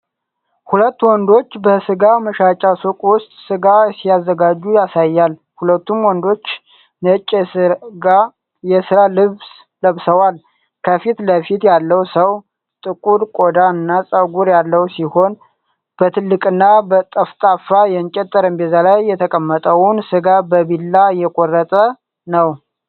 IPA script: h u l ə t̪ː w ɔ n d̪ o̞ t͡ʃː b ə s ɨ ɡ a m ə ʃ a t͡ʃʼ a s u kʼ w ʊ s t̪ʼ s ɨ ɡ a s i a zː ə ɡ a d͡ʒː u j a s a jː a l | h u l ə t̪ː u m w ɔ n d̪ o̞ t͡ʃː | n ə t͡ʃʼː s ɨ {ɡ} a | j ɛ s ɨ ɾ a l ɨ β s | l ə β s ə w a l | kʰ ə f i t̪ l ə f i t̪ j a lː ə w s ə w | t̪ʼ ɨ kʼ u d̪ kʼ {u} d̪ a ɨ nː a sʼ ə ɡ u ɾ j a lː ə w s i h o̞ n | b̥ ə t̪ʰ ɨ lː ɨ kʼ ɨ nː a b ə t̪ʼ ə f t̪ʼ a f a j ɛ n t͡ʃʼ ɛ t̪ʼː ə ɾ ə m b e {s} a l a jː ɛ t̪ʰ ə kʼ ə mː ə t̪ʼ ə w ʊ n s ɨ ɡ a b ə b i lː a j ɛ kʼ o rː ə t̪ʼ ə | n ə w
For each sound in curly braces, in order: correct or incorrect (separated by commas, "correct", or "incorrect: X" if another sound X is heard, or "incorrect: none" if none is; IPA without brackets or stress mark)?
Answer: correct, incorrect: o, incorrect: z